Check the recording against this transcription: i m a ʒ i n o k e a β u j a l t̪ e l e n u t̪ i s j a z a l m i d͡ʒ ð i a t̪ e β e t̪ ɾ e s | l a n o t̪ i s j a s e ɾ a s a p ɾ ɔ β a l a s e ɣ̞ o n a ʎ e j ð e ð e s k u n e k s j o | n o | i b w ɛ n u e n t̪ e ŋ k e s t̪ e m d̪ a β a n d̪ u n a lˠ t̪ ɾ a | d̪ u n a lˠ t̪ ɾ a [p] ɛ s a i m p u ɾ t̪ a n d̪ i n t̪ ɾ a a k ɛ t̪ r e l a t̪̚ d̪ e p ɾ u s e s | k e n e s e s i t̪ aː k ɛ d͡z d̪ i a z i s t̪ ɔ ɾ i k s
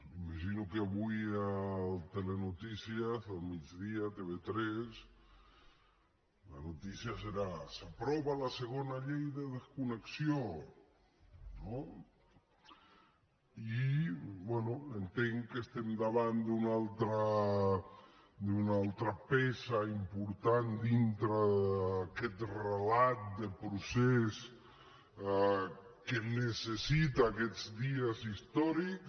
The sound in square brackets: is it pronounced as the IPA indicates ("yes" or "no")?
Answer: yes